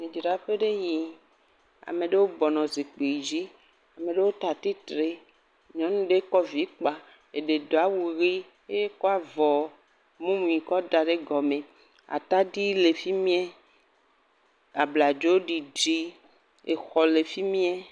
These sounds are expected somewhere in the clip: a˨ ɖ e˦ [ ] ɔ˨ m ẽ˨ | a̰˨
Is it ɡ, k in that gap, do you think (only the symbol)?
ɡ